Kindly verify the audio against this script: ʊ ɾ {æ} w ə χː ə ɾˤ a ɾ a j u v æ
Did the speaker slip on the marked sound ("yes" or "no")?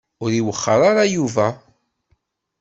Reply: yes